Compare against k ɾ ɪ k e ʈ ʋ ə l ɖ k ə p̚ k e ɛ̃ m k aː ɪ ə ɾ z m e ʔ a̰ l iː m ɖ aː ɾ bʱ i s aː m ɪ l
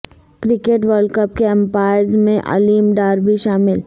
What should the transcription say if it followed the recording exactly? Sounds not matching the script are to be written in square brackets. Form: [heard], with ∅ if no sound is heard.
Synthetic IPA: k ɾ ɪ k e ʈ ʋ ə [ɾ] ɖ k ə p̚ k e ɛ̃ m [p] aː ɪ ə ɾ z m [ẽ] ʔ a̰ l iː m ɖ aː ɾ bʱ i [ʃ] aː m ɪ l